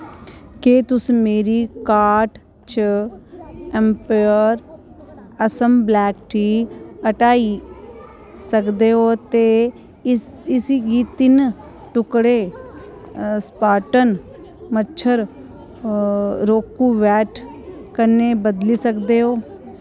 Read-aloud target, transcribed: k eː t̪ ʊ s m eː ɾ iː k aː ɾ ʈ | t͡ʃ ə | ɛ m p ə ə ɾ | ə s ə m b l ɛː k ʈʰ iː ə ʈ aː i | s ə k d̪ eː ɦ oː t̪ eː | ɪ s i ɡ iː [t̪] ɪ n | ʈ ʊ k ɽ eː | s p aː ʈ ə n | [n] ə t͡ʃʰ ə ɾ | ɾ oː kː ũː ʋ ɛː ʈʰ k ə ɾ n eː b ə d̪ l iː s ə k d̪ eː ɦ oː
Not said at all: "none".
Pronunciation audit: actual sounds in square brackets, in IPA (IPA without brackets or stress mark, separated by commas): t̪, m